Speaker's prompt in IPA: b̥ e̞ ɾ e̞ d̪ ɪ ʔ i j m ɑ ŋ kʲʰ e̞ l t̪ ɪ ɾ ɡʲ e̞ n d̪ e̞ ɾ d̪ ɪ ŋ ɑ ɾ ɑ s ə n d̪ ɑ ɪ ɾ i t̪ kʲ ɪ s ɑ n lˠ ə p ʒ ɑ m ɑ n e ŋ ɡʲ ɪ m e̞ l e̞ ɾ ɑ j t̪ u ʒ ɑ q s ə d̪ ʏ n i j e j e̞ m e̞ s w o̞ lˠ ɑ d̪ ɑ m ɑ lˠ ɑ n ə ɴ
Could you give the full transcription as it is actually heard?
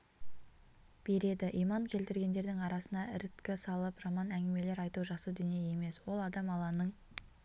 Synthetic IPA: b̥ e̞ ɾ e̞ d̪ ɪ ʔ i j m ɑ ŋ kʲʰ e̞ l t̪ ɪ ɾ ɡʲ e̞ n d̪ e̞ ɾ d̪ ɪ ŋ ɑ ɾ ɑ s ə n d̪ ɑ ɪ ɾ ɪ t̪ kʲ ɪ s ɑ lˠ ə p ʒ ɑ m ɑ n æ ŋ ɡʲ ɪ m e̞ l e̞ ɾ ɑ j t̪ u ʒ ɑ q s ə d̪ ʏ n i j e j e̞ m e̞ s w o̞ lˠ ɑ d̪ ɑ m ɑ lˠ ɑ n ə ɴ